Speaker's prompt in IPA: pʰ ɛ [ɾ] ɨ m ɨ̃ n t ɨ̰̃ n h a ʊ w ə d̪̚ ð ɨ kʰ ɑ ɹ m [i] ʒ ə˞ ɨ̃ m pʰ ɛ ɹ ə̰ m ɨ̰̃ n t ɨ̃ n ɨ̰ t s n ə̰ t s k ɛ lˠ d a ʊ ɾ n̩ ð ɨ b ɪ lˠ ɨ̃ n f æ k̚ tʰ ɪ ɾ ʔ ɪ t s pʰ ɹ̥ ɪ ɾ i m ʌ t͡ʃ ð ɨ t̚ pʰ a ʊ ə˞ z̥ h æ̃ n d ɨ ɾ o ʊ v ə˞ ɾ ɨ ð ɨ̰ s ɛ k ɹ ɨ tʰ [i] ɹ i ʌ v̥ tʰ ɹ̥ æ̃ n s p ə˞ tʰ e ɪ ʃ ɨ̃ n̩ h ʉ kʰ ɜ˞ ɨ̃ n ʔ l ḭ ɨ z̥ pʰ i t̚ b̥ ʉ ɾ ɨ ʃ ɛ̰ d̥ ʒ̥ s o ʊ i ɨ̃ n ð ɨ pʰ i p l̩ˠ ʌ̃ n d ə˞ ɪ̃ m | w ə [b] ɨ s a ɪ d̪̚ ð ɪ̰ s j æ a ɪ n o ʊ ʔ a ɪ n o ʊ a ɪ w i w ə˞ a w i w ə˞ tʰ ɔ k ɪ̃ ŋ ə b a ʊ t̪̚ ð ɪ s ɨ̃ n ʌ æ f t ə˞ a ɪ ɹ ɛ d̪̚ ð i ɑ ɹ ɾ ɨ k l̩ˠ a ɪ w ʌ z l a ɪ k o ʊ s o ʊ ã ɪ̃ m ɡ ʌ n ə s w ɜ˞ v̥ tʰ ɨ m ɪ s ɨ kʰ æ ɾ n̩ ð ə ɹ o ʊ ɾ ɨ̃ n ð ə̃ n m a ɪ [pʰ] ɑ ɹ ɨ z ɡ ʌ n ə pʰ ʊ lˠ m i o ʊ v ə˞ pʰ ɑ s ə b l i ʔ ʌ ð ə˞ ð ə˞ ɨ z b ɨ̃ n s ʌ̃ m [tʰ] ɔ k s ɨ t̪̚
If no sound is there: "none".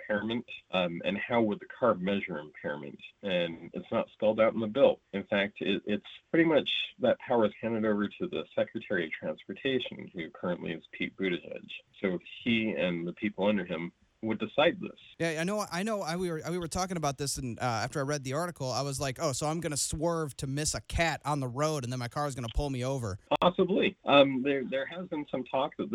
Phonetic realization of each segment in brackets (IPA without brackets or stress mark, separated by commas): ɹ, ɛ, ɛ, d, kʰ, tʰ